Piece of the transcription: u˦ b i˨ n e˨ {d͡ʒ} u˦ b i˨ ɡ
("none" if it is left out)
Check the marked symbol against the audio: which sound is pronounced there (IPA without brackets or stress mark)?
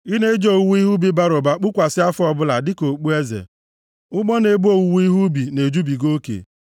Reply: d͡ʒ